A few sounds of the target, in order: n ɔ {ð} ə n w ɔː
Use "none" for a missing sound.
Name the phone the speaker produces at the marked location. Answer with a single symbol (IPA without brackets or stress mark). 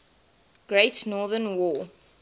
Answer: ð